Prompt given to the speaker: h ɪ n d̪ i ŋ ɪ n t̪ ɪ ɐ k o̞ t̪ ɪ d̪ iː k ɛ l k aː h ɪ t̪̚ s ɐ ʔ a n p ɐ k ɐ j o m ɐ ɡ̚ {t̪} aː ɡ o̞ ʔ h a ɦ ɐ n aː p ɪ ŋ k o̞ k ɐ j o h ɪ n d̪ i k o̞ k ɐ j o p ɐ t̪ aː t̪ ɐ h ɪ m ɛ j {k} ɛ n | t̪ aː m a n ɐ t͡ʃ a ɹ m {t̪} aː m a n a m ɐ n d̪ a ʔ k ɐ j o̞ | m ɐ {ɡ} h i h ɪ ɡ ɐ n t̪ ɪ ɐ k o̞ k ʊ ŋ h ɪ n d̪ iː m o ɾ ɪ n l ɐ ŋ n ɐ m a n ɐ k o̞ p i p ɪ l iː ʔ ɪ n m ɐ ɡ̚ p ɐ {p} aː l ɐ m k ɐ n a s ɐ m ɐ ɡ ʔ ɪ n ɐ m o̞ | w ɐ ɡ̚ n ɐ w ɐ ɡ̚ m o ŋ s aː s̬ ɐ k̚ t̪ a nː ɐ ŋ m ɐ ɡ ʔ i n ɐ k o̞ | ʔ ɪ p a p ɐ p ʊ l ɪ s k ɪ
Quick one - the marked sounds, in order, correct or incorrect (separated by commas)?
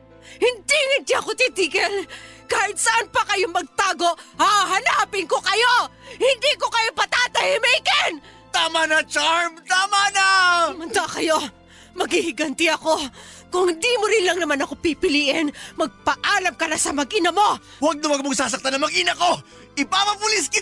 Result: correct, correct, correct, correct, incorrect